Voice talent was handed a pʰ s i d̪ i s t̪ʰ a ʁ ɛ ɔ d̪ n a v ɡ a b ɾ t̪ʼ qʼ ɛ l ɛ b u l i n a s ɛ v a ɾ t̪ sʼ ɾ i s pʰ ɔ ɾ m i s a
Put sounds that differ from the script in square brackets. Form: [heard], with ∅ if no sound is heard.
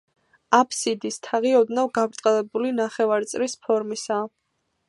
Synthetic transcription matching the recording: a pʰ s i d̪ i s t̪ʰ a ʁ [i] ɔ d̪ n a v ɡ a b ɾ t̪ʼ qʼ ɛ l ɛ b u l i n a [χ] ɛ v a ɾ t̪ sʼ ɾ i s pʰ ɔ ɾ m i s a